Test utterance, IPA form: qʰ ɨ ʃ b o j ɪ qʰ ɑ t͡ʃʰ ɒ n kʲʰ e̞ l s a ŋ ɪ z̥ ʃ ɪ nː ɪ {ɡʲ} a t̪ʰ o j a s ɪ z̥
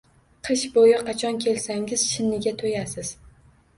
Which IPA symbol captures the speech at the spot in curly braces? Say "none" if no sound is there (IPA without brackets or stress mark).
ɡʲ